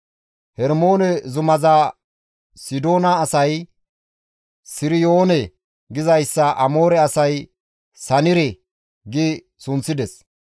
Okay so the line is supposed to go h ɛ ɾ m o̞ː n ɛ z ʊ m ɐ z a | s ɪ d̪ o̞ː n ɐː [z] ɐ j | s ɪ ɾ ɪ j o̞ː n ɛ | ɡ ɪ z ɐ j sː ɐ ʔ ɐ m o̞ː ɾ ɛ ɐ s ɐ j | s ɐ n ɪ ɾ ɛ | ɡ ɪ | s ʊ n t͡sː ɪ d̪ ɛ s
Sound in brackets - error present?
yes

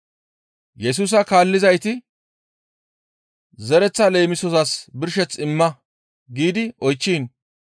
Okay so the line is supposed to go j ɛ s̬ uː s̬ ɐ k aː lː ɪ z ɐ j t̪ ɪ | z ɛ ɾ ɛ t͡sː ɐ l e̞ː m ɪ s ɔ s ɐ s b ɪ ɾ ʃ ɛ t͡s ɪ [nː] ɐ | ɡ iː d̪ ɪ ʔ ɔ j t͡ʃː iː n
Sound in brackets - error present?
yes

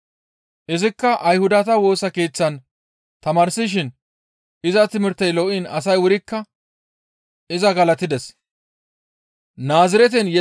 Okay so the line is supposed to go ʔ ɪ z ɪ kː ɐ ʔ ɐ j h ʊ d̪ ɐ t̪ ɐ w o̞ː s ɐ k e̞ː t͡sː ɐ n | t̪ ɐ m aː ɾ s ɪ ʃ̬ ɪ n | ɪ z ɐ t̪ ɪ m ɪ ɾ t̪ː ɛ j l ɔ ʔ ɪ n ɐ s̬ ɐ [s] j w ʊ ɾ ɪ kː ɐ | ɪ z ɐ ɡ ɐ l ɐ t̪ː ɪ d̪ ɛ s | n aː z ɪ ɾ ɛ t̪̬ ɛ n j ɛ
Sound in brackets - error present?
yes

